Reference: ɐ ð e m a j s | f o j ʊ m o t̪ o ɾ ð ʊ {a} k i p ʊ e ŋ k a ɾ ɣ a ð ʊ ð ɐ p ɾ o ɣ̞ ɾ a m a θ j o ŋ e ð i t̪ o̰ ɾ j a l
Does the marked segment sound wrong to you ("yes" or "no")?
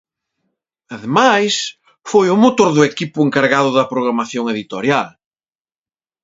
yes